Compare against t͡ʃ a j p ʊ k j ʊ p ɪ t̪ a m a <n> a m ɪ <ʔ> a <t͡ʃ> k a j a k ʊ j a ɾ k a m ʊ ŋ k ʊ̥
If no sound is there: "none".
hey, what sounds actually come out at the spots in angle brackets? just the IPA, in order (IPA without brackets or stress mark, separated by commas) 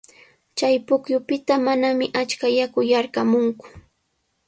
n, ʔ, t͡ʃ